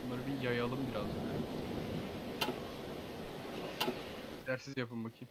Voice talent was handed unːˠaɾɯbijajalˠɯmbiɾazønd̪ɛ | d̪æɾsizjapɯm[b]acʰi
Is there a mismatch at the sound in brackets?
no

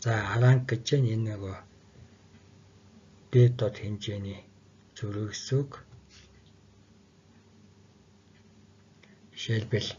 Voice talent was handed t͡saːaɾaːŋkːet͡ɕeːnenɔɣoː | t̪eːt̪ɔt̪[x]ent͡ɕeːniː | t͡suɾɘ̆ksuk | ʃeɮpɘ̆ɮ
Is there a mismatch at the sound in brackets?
no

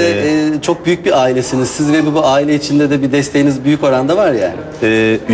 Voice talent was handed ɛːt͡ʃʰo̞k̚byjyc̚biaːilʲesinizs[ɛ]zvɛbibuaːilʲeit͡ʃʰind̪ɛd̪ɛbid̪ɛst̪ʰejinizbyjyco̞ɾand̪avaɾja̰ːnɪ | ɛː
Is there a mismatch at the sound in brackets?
yes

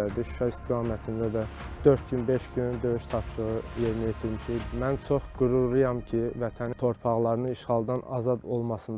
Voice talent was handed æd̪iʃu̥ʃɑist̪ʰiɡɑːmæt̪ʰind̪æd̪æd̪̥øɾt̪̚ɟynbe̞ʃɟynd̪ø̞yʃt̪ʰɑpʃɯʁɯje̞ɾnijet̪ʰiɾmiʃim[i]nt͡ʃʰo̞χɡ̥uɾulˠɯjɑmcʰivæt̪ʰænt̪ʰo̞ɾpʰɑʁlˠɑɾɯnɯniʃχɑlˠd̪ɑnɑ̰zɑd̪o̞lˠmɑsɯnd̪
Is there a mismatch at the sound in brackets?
yes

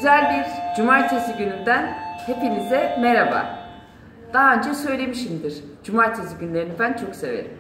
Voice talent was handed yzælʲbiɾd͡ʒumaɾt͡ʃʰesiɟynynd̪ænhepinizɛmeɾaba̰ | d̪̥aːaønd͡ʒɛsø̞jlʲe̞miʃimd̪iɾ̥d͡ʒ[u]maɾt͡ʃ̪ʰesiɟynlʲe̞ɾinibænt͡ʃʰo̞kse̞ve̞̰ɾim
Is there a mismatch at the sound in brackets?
no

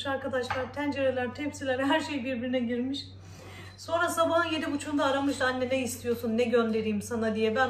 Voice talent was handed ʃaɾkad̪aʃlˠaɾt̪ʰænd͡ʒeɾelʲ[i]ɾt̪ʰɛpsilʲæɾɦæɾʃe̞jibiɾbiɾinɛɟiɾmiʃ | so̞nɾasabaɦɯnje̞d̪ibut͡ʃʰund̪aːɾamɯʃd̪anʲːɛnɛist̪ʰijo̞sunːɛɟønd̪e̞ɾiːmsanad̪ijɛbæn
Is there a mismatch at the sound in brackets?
yes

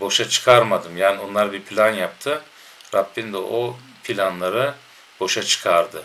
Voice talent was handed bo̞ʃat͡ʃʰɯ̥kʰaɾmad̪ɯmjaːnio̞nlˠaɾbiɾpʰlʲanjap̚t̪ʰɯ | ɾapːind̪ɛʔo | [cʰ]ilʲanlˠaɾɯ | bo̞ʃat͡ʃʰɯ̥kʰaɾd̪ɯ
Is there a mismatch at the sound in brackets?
yes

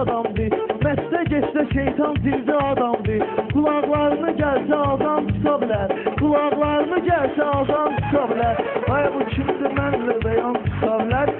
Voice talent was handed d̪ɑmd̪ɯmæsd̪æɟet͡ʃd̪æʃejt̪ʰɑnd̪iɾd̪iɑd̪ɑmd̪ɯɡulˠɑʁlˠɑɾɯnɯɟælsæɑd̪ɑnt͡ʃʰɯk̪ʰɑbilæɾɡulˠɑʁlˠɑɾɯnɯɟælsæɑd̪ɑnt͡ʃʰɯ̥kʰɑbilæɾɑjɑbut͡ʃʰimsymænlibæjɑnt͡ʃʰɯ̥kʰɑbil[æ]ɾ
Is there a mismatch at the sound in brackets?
no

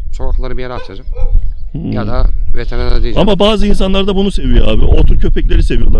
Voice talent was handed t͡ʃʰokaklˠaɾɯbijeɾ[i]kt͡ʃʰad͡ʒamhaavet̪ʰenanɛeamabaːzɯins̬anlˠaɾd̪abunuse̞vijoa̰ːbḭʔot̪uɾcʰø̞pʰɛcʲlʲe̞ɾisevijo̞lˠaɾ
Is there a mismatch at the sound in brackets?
yes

